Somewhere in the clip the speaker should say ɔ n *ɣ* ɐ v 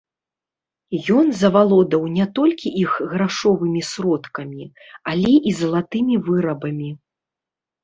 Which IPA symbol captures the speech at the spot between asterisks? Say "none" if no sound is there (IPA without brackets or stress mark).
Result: z